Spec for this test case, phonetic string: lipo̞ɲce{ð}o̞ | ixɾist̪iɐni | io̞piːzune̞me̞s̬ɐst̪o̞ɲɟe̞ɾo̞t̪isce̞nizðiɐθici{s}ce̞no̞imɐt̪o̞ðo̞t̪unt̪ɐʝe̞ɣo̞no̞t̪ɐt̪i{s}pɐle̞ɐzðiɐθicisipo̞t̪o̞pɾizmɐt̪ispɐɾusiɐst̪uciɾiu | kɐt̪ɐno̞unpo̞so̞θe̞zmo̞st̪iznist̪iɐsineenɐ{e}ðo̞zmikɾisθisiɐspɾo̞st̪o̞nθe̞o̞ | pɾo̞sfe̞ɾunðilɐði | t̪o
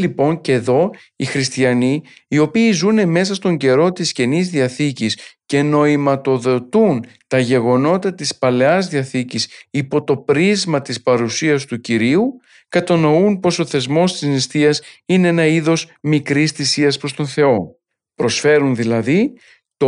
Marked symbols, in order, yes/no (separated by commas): yes, yes, yes, no